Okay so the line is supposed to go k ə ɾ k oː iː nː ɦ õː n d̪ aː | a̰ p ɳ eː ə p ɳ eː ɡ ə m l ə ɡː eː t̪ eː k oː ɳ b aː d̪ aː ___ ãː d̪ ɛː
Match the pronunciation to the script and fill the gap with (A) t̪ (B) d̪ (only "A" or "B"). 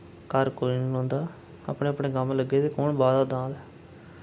B